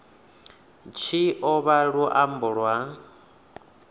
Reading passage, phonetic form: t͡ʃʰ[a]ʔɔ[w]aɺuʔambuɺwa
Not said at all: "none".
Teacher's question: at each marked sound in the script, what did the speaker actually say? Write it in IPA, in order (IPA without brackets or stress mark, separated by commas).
i, β